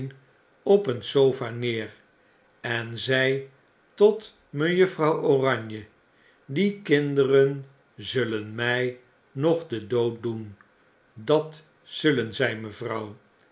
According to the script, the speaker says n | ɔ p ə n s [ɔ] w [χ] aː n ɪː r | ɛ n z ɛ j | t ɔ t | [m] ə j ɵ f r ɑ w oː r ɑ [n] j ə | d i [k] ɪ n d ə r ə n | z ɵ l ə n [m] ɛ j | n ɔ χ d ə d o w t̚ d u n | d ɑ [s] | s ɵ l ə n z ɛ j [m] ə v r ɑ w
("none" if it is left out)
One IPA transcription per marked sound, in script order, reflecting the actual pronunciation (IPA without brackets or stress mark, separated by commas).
o, f, m, ɲ, k, m, t, m